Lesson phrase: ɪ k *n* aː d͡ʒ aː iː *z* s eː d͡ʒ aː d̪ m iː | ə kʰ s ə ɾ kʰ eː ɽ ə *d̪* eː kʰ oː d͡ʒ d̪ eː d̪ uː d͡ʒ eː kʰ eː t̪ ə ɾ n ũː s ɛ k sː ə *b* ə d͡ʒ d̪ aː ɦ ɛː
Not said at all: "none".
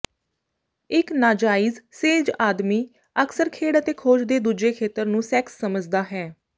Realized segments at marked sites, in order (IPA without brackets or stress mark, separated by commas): n, z, t̪, m